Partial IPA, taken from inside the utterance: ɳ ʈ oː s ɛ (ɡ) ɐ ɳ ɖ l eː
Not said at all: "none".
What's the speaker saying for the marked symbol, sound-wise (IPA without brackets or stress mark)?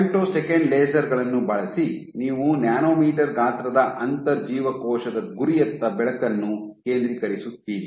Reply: k